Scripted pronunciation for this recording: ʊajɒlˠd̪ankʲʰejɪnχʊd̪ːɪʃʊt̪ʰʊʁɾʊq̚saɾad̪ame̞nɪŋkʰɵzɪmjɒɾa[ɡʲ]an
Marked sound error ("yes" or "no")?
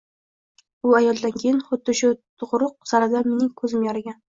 no